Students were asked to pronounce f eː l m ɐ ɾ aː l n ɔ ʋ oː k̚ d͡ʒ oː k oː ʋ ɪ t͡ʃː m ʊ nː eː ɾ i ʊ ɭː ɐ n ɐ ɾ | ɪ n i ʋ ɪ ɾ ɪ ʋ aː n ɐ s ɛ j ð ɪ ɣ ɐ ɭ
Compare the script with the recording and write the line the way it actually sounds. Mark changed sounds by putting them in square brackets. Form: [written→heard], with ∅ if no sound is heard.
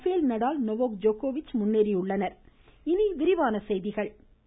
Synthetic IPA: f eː l [m→n] ɐ [ɾ→ɽ] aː l n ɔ ʋ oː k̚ d͡ʒ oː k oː ʋ ɪ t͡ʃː m ʊ nː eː ɾ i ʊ ɭː ɐ n ɐ ɾ | ɪ n i ʋ ɪ ɾ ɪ ʋ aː n ɐ s ɛ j ð ɪ ɣ ɐ ɭ